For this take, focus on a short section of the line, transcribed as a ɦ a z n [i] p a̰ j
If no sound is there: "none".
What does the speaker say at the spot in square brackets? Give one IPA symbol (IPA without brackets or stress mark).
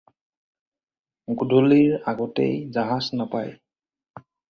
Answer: a